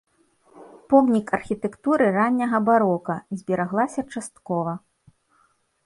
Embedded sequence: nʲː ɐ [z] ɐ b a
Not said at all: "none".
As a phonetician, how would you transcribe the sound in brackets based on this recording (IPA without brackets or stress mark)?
ɣ